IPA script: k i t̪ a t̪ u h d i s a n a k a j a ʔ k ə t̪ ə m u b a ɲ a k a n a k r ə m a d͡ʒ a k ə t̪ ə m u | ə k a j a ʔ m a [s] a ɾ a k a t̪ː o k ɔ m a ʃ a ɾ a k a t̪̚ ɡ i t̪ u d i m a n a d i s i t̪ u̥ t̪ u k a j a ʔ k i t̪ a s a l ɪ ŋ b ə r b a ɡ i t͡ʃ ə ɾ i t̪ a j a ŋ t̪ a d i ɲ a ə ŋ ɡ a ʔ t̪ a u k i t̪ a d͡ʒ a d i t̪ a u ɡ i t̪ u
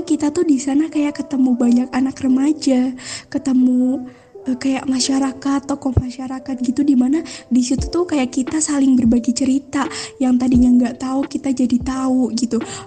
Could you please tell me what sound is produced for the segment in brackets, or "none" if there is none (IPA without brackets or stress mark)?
ʃ